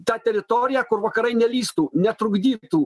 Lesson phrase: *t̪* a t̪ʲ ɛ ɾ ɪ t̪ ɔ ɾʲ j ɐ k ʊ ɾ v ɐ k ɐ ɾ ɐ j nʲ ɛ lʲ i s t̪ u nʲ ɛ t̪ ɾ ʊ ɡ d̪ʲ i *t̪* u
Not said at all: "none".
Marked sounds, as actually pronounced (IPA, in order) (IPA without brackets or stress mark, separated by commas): t̪, t̪